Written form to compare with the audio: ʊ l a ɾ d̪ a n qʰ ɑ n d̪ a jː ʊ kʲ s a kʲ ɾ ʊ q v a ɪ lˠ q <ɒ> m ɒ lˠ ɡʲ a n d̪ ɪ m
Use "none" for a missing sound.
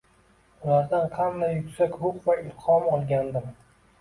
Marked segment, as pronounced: ɒ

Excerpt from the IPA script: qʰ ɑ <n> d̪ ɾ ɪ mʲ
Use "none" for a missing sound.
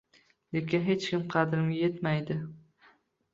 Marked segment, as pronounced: none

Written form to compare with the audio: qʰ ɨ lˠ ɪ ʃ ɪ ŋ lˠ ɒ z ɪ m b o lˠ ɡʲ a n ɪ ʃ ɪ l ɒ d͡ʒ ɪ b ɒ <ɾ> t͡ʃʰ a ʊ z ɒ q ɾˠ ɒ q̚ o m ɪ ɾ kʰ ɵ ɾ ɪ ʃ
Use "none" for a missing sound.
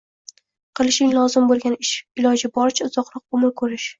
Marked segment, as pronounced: ɾ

